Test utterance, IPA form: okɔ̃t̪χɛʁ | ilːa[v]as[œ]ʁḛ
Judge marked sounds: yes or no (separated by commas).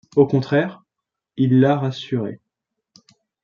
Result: no, no